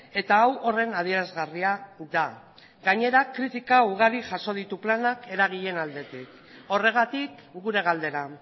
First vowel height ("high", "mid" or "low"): mid